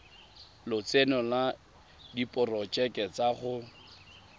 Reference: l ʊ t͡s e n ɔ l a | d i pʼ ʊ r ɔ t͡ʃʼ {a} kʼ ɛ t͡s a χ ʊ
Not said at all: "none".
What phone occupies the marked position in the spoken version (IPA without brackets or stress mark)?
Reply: ɛ